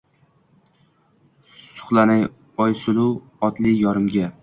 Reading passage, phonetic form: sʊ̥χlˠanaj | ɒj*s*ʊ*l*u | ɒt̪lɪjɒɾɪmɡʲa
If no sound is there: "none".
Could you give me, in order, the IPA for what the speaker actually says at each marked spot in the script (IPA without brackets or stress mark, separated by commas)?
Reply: s, l